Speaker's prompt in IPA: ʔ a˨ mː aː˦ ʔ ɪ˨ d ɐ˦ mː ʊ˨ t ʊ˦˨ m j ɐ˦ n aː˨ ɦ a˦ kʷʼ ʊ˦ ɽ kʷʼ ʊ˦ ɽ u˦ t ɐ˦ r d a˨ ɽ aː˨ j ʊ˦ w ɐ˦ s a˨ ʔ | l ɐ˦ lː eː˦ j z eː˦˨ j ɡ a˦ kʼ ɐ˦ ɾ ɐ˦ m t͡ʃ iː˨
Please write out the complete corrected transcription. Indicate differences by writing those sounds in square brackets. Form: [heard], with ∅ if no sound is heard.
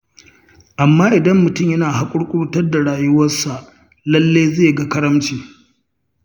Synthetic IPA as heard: ʔ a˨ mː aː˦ ʔ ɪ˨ d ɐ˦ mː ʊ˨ t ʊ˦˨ m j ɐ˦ n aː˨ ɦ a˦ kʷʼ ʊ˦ ɽ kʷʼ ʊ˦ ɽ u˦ t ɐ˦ r d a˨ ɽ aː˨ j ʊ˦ w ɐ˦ s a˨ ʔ | l ɐ˦ lː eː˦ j z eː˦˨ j ɡ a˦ [k] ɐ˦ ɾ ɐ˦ m t͡ʃ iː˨